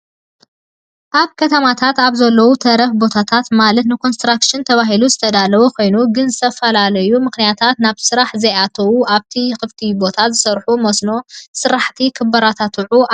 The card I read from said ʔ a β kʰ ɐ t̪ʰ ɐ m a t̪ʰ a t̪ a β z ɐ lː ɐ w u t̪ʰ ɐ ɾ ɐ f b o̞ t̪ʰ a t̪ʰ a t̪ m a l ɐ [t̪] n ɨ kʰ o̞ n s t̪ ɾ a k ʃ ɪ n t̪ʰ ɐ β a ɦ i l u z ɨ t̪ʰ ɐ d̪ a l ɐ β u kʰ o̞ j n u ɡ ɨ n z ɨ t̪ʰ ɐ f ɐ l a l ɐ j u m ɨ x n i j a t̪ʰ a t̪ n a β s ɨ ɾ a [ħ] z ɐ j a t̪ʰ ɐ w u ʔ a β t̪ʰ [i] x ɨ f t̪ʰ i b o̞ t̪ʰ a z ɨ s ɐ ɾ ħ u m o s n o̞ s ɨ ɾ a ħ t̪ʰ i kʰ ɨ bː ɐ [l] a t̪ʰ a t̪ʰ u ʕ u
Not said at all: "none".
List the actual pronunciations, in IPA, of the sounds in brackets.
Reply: t̪, ħ, i, ɾ

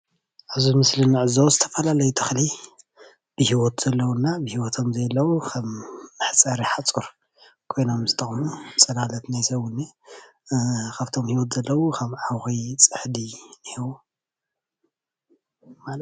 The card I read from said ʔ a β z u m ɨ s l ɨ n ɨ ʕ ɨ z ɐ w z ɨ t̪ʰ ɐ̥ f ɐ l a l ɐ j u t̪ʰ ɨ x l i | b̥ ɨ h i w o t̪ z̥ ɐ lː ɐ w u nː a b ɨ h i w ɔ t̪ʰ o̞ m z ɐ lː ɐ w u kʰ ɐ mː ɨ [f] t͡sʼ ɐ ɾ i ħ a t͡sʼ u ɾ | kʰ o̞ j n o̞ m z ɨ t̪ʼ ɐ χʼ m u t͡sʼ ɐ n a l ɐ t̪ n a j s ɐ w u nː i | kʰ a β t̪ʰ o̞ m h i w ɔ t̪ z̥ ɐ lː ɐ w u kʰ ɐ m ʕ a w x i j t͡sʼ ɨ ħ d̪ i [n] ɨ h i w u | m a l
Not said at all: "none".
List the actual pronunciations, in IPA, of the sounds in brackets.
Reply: ħ, n

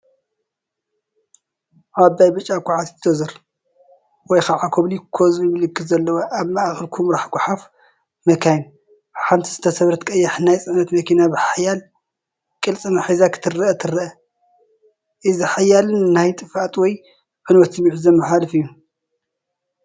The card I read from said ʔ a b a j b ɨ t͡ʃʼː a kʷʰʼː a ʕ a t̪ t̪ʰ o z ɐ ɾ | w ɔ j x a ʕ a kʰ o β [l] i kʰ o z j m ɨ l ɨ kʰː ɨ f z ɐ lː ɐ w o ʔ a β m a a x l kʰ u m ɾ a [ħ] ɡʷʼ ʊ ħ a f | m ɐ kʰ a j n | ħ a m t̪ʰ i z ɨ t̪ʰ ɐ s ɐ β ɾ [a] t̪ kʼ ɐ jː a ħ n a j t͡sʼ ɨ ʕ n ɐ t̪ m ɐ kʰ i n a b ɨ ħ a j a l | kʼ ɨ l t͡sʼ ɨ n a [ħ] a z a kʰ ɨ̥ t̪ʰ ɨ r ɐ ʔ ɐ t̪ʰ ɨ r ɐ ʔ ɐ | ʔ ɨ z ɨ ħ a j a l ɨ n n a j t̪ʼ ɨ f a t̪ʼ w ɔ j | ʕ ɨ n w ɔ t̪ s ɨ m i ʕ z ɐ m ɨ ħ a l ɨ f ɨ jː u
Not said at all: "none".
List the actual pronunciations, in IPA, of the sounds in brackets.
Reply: l, ħ, ɐ, ħ

